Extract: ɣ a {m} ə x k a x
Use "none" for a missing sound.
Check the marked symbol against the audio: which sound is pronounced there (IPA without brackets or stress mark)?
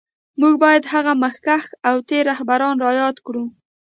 m